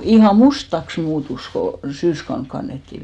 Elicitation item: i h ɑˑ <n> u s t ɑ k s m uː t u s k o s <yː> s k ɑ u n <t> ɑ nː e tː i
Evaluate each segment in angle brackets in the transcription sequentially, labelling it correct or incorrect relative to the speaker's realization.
incorrect: m, correct, incorrect: k

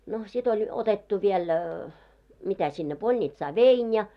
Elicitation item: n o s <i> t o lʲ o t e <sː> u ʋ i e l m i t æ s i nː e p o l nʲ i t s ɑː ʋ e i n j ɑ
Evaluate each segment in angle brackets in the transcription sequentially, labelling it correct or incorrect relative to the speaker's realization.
correct, incorrect: tː

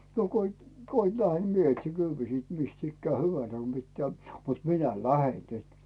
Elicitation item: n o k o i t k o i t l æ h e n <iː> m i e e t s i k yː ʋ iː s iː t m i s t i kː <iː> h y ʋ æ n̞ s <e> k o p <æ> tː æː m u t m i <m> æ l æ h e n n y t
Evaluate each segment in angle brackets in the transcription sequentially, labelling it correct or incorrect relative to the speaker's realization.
incorrect: i, incorrect: æː, incorrect: æ, incorrect: i, incorrect: n

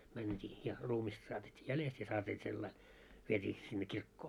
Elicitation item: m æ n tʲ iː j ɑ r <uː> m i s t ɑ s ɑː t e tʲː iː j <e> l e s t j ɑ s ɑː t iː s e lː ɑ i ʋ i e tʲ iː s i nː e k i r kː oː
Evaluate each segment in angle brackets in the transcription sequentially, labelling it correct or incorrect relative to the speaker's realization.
correct, incorrect: æ

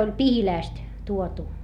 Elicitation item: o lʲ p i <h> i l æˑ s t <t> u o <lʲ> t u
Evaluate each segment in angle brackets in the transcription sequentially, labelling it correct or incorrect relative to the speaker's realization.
correct, correct, incorrect: none

